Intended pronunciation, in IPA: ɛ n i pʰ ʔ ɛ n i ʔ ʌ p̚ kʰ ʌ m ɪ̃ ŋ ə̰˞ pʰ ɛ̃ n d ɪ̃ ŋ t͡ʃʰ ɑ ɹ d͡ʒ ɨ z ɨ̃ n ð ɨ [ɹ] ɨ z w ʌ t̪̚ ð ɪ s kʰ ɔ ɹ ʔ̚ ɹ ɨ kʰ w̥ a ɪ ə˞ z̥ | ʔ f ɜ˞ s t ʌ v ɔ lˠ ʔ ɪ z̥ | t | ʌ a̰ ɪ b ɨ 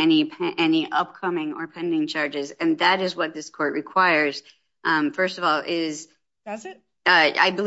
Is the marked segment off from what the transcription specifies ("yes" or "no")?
yes